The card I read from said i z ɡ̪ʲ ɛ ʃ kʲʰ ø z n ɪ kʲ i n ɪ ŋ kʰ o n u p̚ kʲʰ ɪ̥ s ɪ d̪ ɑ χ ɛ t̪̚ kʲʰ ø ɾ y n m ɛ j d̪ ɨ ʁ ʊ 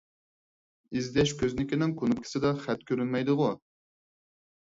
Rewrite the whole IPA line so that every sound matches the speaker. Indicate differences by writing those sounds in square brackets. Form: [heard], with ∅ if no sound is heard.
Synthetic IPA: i z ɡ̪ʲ ɛ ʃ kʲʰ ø z n ɪ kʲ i n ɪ ŋ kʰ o n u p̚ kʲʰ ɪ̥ s ɪ d̪ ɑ χ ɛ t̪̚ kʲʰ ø ɾ y n m ɛ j d̪ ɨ ʁ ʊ